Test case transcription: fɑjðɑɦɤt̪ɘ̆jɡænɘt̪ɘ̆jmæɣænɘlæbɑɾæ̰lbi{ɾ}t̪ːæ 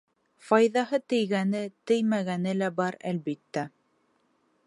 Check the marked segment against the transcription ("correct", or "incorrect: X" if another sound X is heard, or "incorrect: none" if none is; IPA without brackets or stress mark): incorrect: none